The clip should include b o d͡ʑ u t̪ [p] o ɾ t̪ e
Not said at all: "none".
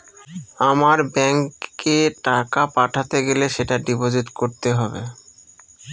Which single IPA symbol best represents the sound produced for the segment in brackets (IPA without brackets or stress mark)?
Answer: k